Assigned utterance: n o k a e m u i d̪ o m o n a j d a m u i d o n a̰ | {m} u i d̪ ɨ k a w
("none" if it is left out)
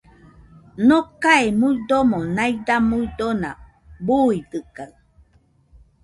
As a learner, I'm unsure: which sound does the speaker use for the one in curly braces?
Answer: b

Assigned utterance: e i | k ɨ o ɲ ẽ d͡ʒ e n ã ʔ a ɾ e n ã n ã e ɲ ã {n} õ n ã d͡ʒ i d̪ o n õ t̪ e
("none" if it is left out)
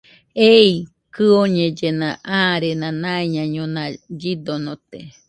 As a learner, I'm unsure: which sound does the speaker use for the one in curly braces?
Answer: ɲ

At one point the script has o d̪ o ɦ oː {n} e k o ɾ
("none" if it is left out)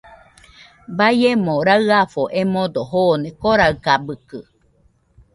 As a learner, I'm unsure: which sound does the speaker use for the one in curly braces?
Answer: n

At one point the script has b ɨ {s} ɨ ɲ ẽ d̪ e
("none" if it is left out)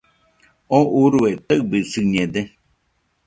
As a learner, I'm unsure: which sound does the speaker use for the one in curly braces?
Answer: s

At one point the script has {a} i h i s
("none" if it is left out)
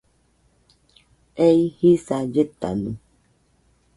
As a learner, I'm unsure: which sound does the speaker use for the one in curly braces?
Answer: e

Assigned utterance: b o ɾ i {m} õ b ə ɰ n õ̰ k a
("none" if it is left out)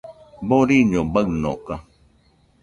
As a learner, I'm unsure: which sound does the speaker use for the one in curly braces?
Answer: ɲ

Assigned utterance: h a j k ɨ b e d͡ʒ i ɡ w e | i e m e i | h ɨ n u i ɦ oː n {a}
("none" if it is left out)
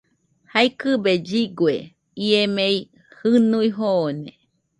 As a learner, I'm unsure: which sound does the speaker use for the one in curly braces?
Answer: e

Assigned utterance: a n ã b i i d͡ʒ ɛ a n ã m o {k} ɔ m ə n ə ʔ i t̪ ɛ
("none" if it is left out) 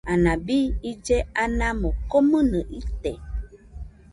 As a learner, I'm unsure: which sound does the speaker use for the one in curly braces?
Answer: k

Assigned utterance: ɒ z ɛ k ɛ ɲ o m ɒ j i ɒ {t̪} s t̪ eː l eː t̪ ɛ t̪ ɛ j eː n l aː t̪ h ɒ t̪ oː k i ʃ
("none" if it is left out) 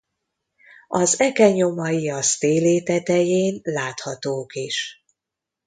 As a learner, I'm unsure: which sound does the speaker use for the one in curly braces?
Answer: none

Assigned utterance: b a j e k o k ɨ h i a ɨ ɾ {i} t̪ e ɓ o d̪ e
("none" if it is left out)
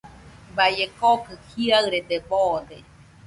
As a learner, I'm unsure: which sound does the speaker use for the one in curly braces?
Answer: e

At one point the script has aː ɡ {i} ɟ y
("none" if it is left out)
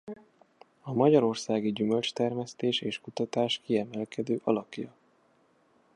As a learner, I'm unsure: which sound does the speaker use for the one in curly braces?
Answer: i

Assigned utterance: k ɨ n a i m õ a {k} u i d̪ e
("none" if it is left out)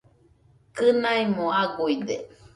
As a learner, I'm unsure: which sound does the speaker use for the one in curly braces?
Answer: ɡ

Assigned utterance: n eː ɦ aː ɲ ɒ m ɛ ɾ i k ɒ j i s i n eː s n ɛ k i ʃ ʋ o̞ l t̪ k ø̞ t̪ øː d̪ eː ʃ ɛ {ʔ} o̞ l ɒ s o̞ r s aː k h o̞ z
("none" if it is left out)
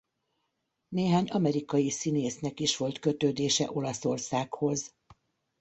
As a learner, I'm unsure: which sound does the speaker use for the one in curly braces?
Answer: ʔ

